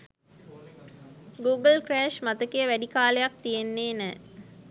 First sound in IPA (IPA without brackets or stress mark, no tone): ɡ